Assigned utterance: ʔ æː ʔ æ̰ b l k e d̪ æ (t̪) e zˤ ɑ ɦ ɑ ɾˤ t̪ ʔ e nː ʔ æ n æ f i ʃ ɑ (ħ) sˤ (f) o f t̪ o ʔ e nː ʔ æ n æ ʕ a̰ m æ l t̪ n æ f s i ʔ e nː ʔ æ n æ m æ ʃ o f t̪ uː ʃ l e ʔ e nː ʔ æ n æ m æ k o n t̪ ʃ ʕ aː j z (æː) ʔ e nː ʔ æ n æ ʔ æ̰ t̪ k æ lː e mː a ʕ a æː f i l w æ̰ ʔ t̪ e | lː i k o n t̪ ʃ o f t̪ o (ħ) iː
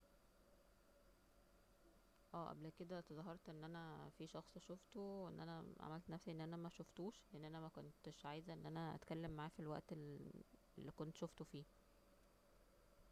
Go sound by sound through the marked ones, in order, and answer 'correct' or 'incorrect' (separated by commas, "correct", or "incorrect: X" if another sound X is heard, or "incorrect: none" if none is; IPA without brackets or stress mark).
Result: correct, incorrect: x, incorrect: ʃ, incorrect: æ, incorrect: f